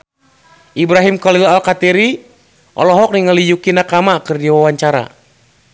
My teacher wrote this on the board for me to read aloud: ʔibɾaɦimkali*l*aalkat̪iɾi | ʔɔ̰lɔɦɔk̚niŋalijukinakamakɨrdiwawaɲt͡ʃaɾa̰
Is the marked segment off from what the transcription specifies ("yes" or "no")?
no